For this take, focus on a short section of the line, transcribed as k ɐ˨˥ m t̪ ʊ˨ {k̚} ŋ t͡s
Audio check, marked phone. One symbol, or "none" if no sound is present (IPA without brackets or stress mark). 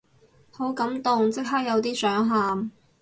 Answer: none